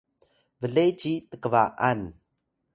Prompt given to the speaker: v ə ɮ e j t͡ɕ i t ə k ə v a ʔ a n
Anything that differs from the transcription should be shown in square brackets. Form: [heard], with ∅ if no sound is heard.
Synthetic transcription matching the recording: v ə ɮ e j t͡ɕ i t ə k ə v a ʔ a n